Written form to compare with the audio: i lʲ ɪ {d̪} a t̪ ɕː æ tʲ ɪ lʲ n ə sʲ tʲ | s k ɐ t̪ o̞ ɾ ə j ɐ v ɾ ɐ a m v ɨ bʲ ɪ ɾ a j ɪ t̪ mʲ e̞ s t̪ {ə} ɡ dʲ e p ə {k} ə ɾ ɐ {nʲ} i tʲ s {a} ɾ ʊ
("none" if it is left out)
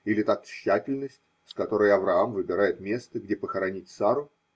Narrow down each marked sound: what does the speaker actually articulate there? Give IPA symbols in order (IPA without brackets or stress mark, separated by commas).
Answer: t̪, ə, x, nʲ, a